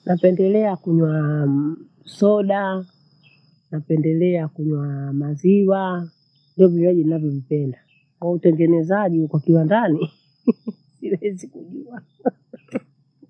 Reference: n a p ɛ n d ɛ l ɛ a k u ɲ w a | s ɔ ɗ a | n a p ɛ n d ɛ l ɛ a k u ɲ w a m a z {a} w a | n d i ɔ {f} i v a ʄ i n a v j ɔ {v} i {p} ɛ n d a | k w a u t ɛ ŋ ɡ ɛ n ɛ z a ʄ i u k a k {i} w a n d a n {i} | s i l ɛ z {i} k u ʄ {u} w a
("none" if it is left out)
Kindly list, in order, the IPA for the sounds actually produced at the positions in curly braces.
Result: i, v, v, p, i, i, i, u

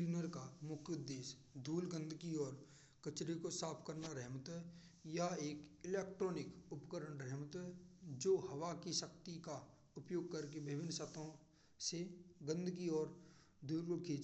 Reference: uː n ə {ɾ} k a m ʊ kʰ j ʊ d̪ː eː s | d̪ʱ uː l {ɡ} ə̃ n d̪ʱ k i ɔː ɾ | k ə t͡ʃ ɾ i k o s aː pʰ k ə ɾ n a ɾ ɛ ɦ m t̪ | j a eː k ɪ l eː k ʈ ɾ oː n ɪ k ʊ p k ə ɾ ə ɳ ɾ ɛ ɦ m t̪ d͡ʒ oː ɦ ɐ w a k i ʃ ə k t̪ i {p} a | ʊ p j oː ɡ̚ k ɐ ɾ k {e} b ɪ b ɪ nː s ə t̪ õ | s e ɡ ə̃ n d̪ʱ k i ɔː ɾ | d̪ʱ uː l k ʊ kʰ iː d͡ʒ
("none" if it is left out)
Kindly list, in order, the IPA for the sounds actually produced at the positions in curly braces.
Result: ɾ, ɡ, k, e

